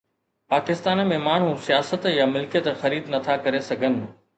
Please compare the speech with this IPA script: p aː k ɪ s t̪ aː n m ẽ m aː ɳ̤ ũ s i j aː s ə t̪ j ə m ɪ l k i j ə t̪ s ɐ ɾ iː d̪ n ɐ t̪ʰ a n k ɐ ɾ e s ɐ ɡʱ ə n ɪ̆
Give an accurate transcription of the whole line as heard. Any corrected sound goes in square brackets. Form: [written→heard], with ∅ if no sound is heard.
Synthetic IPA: p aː k ɪ s t̪ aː n m ẽ m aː ɳ̤ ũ s i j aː s ə t̪ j [ə→a] m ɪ l k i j ə t̪ [s→x] ɐ ɾ iː d̪ n ɐ t̪ʰ a [n→∅] k ɐ ɾ e s ɐ ɡʱ ə n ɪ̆